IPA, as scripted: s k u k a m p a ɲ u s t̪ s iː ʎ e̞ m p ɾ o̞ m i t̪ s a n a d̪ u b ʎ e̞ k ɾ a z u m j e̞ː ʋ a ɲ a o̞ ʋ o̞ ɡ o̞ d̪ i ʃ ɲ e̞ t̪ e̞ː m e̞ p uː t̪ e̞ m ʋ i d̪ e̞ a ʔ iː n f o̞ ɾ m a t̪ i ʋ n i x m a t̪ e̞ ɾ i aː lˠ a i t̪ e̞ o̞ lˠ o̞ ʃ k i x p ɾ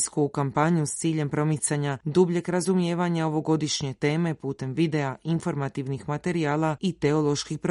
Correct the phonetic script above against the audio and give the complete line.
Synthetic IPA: s k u k a m p a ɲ u s t̪ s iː ʎ e̞ m p ɾ o̞ m i t̪ s a ɲ a d̪ u b ʎ e̞ k ɾ a z u m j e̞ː ʋ a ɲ a o̞ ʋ o̞ ɡ o̞ d̪ i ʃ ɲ e̞ t̪ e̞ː m e̞ p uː t̪ e̞ m ʋ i d̪ e̞ a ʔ i n f o̞ ɾ m a t̪ i ʋ n i x m a t̪ e̞ ɾ i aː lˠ a i t̪ e̞ o̞ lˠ o̞ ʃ k i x p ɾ